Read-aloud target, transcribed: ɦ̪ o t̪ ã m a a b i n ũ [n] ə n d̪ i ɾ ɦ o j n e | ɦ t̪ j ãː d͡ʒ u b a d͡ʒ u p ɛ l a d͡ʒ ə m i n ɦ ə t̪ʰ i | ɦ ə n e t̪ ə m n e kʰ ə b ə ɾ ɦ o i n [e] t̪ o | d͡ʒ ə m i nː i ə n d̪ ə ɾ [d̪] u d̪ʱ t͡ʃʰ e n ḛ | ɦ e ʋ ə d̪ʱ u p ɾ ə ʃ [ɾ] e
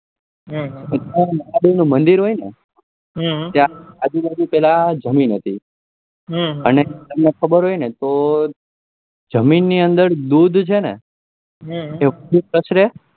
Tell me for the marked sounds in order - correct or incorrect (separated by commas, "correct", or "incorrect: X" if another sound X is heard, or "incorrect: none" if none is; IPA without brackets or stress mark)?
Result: incorrect: m, correct, correct, correct